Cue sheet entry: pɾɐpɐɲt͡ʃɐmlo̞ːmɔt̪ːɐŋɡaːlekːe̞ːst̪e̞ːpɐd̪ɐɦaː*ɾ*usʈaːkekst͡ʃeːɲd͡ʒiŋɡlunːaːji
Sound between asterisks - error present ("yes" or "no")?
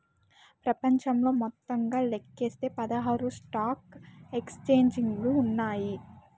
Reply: no